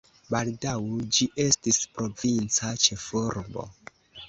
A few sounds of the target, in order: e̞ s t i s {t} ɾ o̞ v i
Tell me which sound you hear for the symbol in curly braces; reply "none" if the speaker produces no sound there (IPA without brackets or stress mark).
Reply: p